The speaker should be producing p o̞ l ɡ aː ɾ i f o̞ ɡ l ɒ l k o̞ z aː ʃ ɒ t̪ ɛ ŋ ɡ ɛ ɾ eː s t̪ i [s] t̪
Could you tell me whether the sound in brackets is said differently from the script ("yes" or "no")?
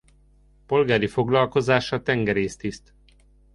no